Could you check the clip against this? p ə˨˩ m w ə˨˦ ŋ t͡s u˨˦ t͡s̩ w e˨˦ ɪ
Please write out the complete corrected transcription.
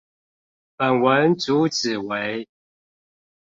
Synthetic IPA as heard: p ə˨˩ n w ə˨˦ n t͡s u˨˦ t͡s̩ w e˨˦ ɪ